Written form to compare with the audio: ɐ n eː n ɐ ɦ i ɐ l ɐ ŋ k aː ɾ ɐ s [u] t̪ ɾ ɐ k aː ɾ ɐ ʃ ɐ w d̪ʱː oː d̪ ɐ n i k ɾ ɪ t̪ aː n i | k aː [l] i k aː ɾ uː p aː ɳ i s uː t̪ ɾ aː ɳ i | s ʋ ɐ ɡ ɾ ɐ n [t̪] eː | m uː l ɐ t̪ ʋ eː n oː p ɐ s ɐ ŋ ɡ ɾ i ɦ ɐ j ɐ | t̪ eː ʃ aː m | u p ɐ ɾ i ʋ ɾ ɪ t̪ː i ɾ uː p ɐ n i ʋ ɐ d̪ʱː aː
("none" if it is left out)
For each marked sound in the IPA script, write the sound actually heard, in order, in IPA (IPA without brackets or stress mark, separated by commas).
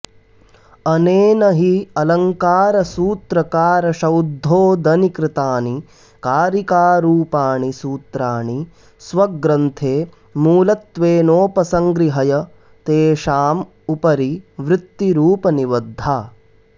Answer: uː, ɾ, t̪ʰ